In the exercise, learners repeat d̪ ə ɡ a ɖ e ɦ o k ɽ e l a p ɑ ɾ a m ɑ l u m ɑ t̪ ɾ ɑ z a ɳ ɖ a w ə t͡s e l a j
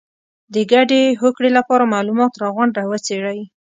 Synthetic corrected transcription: d̪ ə ɡ a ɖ e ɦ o k ɽ e l a p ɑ ɾ a m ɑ l u m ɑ t̪ ɾ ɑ ɣ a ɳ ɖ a w ə t͡s e ɽ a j